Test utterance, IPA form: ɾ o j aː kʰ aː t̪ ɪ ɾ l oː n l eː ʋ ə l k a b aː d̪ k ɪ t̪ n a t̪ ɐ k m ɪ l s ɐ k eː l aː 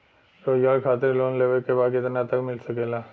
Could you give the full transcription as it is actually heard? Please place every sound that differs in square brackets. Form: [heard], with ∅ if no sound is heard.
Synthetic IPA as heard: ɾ o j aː kʰ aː t̪ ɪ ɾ l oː n l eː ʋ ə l k [e] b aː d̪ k ɪ t̪ n a t̪ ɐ k m ɪ l s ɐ k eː l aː